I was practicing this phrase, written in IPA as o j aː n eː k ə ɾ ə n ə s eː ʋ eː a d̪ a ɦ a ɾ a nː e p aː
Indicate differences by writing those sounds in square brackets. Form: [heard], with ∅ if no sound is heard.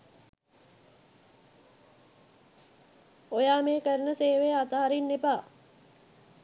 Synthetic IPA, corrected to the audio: o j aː [m] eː k ə ɾ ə n ə s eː ʋ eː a [t̪] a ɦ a ɾ [i] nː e p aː